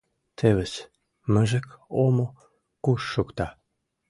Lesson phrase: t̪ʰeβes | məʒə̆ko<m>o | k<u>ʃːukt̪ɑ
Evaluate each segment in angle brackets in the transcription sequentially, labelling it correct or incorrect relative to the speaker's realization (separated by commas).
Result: correct, correct